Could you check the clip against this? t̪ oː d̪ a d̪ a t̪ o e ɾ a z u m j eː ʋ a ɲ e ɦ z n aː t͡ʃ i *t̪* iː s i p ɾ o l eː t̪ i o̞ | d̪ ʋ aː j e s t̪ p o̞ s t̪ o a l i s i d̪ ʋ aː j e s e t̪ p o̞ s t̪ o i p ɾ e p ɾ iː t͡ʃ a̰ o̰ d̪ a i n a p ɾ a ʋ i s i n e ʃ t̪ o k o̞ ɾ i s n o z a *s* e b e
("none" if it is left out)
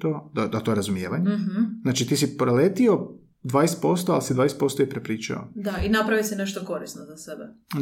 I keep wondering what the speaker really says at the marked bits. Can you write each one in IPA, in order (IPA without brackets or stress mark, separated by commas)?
t̪, s